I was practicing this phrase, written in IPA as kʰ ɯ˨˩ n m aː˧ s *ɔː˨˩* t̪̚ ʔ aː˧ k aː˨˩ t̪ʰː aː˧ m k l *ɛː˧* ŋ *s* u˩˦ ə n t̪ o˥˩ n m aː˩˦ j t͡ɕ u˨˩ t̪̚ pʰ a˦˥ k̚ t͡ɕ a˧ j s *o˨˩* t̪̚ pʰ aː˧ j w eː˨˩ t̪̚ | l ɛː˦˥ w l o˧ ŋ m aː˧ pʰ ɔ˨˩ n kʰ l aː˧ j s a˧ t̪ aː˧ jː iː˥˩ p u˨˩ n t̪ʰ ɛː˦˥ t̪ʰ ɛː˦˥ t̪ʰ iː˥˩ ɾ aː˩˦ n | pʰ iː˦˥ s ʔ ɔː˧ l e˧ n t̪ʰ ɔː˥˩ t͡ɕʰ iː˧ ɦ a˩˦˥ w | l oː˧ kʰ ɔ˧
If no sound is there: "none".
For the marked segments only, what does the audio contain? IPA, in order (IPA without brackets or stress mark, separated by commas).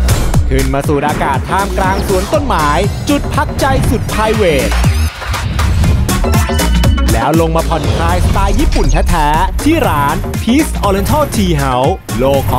uː˨˩, aː˧, s, u˨˩